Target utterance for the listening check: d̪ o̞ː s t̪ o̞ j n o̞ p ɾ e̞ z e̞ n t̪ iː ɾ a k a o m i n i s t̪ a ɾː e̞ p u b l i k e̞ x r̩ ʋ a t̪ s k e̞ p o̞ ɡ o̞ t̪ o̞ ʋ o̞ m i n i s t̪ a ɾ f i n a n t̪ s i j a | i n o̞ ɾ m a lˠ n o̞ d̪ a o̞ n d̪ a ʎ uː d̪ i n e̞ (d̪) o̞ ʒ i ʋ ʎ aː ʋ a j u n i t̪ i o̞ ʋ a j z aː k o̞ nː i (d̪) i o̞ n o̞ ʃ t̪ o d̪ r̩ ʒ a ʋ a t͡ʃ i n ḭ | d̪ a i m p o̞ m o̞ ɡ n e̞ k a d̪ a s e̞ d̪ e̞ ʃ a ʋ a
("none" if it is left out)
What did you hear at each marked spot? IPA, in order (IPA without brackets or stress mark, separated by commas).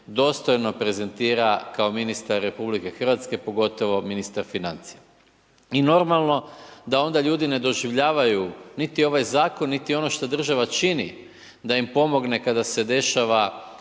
d̪, t̪